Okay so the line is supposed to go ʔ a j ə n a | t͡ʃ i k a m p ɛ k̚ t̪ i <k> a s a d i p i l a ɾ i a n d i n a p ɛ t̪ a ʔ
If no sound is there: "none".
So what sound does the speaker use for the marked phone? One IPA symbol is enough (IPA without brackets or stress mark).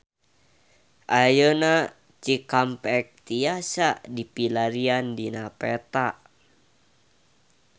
none